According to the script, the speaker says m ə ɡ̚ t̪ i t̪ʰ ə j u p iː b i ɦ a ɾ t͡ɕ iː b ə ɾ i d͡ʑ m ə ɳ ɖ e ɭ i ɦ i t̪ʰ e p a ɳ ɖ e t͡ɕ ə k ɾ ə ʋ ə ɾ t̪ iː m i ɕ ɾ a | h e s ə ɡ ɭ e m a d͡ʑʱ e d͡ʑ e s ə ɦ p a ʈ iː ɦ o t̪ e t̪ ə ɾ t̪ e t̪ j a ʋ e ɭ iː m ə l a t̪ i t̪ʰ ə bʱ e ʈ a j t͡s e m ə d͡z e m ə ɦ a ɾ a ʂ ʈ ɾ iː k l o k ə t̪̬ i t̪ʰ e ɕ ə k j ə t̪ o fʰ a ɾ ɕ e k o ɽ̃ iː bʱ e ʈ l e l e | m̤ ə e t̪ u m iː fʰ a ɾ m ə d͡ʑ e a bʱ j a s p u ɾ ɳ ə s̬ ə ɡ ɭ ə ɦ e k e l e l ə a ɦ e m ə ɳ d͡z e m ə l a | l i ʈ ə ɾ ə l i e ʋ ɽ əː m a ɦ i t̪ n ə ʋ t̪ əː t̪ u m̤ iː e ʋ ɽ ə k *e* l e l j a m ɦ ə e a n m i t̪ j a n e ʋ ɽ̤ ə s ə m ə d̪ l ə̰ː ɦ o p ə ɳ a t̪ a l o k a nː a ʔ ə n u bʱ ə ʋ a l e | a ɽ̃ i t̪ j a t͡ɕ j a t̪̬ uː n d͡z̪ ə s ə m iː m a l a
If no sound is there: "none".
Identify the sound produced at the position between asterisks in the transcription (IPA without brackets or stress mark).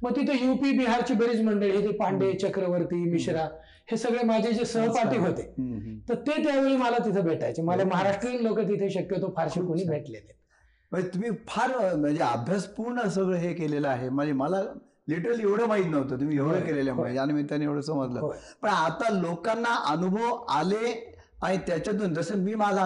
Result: e